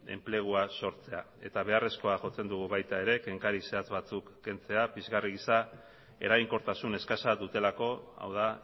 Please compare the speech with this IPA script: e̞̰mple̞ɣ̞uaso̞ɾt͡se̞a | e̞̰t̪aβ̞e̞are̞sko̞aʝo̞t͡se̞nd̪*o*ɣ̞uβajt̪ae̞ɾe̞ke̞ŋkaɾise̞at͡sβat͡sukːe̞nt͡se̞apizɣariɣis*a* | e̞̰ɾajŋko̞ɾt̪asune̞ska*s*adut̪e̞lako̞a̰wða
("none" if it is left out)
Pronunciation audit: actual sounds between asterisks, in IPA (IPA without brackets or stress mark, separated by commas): u, a, s